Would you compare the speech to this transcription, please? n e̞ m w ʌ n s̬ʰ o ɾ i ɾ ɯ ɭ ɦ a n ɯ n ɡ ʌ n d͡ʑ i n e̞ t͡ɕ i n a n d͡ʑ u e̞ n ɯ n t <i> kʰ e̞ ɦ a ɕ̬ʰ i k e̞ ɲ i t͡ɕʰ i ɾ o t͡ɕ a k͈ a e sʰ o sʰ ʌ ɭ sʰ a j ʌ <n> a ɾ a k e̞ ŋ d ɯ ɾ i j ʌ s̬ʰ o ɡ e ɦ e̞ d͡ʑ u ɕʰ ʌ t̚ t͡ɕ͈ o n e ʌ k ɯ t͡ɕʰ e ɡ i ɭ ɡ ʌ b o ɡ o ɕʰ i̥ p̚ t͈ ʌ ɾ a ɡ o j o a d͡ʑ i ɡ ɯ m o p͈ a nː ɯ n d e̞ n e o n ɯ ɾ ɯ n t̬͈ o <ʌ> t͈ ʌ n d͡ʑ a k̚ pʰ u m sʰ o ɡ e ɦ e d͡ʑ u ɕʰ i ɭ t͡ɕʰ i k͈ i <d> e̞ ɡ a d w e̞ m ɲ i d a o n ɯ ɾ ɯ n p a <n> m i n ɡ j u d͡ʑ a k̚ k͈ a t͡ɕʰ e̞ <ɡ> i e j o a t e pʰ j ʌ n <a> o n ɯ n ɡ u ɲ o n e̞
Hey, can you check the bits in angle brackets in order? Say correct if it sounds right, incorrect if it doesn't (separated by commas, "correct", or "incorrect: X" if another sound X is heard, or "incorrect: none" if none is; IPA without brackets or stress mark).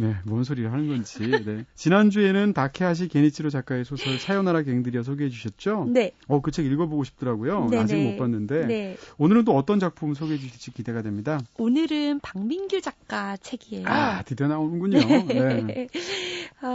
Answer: incorrect: a, correct, correct, correct, incorrect: ŋ, correct, correct